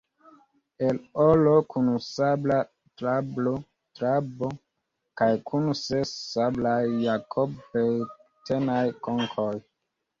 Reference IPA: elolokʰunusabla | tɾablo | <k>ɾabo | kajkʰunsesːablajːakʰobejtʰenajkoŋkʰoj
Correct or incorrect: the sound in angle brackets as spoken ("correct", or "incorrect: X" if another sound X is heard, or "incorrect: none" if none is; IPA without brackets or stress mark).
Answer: incorrect: t